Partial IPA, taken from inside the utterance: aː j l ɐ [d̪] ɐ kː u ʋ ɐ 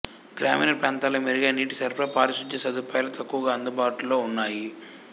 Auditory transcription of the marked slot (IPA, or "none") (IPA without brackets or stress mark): t̪